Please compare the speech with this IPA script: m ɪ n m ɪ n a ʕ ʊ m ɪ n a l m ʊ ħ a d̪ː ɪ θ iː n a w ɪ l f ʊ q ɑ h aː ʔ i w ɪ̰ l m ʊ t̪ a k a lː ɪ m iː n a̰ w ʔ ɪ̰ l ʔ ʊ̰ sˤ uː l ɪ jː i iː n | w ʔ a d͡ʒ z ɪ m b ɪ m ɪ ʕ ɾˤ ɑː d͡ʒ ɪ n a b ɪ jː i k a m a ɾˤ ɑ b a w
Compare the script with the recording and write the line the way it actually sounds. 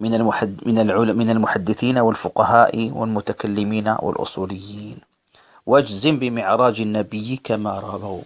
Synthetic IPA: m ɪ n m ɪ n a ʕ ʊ m ɪ n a l m ʊ ħ a d̪ː ɪ θ iː n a w ɪ l f ʊ q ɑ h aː ʔ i w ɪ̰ l m ʊ t̪ a k a lː ɪ m iː n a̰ w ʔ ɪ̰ l ʔ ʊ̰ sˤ uː l ɪ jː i iː n | w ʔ a d͡ʒ z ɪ m b ɪ m ɪ ʕ ɾˤ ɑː d͡ʒ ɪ nː a b ɪ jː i k a m a ɾˤ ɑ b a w